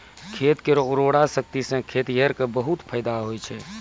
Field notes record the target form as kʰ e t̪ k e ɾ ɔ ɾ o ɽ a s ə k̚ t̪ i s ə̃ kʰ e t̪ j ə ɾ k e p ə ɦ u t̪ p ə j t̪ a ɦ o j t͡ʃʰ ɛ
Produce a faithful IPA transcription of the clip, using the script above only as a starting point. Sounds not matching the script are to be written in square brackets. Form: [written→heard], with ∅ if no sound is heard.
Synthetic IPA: kʰ e t̪ k e ɾ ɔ ɾ o ɽ a s ə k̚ t̪ i s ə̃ kʰ e t̪ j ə ɾ k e [p→b] ə ɦ u t̪ [p→pʰ] ə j [t̪→d̪] a ɦ o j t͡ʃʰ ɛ